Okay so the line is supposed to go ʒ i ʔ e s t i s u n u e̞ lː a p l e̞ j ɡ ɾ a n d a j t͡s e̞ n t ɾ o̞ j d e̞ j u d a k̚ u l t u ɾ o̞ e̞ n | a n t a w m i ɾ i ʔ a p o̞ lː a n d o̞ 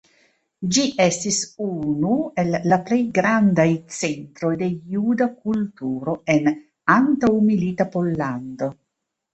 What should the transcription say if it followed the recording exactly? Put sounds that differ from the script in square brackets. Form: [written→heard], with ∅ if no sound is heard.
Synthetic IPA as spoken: [ʒ→d͡ʒ] i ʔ e s t i s u n u e̞ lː a p l e̞ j ɡ ɾ a n d a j t͡s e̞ n t ɾ o̞ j d e̞ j u d a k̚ u l t u ɾ o̞ e̞ n | a n t a w m i [ɾ→l] i [ʔ→t] a p o̞ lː a n d o̞